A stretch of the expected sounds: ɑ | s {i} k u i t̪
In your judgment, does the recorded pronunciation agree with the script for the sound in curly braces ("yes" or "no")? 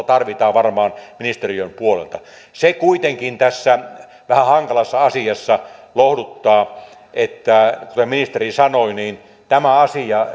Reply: no